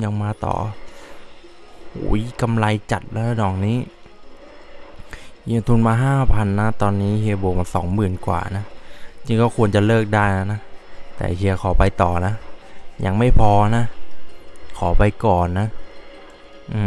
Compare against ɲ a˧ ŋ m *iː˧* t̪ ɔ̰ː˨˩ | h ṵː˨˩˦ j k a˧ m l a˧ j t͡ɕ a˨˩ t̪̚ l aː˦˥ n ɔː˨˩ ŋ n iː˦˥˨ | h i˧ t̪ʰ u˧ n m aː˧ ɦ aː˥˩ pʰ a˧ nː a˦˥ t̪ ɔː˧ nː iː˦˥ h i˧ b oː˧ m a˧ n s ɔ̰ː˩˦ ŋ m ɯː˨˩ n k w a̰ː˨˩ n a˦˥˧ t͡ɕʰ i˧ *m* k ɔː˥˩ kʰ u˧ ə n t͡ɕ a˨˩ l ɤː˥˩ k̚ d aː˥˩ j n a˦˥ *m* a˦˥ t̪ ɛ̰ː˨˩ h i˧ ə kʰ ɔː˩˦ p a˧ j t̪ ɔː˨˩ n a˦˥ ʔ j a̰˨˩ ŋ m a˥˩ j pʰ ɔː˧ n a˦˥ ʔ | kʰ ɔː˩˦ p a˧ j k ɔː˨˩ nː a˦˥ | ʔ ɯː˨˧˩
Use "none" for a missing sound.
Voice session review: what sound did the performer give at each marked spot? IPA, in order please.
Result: aː˧, ŋ, n

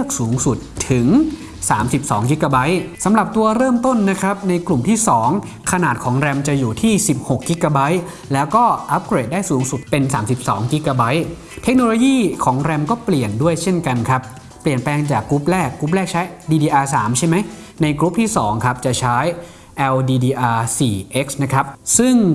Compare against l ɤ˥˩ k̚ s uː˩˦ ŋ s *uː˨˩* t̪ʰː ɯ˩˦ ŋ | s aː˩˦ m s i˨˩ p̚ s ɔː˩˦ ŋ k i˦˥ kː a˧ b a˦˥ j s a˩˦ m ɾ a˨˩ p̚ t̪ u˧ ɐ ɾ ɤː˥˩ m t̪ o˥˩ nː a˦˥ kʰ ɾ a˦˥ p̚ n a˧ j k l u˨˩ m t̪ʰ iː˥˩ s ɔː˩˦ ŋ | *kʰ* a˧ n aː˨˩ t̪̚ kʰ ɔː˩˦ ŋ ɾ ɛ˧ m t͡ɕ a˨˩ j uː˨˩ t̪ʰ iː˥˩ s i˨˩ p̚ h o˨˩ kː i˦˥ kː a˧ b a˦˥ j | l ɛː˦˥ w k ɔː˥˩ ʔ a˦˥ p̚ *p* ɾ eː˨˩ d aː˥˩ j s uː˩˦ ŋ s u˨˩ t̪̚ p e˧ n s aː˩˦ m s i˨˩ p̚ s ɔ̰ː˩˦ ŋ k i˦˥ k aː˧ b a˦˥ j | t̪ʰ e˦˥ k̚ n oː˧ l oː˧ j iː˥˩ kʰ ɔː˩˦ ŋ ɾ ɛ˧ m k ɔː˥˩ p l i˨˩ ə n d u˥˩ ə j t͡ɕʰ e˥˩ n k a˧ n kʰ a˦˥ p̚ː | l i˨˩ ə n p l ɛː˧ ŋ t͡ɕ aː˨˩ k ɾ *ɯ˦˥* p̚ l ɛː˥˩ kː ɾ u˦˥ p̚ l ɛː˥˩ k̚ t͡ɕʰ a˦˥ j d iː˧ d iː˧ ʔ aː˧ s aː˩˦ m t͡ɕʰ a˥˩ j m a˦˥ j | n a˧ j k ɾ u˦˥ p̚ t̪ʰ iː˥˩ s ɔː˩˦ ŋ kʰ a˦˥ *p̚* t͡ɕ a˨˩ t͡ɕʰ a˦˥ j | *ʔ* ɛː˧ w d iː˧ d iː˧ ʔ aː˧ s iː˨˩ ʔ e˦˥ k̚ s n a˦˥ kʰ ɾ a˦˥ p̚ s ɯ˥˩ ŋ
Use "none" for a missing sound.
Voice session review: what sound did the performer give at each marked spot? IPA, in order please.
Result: u˨˩, kʰ, k, u˦˥, p̚, ʔ

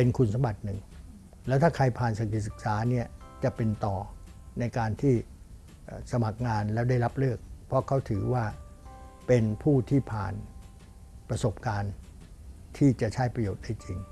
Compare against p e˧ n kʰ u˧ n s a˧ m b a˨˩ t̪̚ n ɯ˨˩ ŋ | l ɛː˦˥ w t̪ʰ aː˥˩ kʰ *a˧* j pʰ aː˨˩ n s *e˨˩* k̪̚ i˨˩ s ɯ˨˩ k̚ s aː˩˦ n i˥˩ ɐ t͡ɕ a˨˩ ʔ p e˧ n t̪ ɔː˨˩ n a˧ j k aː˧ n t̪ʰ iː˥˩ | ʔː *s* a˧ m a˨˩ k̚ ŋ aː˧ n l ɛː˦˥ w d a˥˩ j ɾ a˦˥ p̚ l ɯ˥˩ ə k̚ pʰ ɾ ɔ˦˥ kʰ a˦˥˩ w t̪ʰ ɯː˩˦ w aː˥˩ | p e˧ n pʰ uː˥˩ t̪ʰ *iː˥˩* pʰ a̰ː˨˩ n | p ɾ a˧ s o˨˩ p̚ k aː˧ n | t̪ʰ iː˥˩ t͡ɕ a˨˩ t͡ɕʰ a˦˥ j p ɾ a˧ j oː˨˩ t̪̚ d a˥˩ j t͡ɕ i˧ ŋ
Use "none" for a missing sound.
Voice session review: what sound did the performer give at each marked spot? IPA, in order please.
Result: a˧, a˨˩, s, iː˥˩

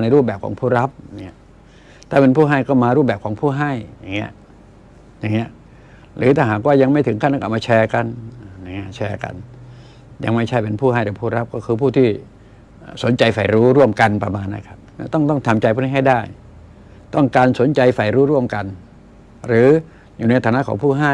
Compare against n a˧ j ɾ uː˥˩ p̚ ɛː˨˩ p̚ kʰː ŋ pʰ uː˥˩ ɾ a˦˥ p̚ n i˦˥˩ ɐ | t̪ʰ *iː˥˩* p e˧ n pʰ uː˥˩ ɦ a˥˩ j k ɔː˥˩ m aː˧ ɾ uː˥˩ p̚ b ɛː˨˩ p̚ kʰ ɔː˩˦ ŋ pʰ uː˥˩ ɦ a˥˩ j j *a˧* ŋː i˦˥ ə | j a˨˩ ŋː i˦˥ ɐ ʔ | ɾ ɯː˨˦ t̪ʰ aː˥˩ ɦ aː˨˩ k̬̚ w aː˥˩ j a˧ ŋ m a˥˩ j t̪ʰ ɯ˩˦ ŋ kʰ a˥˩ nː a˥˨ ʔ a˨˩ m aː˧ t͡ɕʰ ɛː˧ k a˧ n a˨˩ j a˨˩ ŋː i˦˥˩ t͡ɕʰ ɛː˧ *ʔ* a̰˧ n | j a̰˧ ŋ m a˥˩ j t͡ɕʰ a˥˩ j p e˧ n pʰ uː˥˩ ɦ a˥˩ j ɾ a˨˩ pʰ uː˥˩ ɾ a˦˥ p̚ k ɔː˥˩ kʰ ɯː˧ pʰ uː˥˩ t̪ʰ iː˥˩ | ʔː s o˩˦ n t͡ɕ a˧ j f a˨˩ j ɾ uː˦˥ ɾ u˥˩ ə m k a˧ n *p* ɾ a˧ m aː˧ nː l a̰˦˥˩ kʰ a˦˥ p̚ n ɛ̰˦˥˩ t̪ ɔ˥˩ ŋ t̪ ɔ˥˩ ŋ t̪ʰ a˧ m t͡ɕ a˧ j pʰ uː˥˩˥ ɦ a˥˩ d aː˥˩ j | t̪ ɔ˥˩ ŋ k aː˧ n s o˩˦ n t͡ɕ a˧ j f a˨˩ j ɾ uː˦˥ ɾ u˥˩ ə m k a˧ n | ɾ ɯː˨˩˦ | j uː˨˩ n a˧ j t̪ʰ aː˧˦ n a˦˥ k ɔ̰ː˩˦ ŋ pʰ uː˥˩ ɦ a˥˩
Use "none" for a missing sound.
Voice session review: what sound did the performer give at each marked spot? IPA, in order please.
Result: aː˥˩, a˨˩, k, p

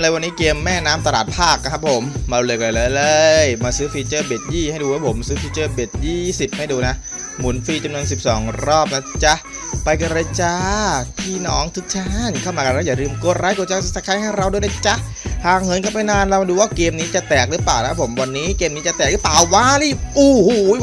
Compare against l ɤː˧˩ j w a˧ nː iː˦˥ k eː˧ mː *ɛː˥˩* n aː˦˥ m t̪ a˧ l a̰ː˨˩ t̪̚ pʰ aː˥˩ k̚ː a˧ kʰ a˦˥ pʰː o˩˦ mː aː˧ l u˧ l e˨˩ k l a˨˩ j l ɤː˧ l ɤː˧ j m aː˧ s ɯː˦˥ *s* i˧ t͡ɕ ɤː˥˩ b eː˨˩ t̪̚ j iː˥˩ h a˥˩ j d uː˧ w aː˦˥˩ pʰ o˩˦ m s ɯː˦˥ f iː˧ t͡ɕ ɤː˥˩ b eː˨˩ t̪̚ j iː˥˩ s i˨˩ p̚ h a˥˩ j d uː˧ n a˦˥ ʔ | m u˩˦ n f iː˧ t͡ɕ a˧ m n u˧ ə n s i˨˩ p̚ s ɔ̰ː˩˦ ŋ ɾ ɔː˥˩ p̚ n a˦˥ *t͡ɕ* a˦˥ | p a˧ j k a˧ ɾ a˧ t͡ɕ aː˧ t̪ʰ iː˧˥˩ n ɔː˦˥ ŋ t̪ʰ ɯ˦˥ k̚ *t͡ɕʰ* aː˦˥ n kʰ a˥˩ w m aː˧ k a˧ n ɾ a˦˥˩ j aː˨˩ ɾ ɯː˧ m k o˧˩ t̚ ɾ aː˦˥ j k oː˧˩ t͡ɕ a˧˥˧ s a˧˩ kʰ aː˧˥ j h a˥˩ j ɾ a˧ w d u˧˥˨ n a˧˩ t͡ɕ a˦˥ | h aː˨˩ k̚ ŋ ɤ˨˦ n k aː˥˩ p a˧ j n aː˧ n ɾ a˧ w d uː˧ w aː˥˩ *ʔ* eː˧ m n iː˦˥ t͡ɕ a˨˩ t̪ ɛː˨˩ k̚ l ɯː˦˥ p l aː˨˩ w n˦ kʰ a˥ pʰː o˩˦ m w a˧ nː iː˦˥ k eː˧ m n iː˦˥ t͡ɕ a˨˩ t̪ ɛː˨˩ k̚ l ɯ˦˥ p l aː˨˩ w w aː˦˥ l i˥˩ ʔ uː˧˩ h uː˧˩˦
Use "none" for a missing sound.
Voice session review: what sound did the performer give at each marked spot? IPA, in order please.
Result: ɛː˥˩, f, t͡ɕ, t͡ɕʰ, k

